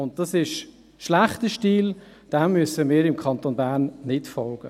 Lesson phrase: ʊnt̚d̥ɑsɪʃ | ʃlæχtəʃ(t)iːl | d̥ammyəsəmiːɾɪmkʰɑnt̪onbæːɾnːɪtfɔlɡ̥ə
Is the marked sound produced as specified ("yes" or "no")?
yes